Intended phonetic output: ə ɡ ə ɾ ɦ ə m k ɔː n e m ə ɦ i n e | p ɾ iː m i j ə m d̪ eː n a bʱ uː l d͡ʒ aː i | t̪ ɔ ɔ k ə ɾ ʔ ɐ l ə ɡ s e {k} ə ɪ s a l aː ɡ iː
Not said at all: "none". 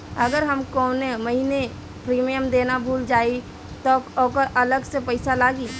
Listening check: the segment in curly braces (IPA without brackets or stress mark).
p